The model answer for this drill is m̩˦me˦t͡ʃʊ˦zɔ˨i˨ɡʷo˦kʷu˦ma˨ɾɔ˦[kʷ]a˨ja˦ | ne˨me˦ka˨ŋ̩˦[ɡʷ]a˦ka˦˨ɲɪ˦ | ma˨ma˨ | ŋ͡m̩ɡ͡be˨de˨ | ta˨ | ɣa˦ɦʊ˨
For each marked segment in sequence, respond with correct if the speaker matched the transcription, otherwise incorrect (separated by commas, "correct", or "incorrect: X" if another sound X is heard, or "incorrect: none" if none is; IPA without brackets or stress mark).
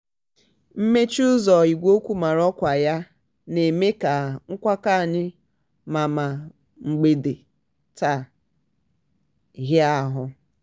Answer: correct, incorrect: kʷ